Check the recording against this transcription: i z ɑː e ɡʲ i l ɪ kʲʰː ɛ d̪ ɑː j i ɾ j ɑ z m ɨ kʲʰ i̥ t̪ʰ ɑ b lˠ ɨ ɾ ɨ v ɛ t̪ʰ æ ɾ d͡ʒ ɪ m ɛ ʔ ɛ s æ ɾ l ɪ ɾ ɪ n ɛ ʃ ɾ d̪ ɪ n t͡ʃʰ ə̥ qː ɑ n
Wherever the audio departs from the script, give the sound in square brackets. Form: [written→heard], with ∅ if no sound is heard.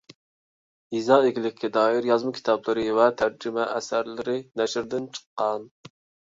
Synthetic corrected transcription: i z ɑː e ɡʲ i l ɪ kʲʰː ɛ d̪ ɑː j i ɾ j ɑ z m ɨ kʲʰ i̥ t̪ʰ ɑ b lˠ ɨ ɾ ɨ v ɛ t̪ʰ æ ɾ d͡ʒ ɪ m ɛ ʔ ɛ s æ ɾ l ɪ ɾ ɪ n ɛ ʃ ɾ d̪ ɪ n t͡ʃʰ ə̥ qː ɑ n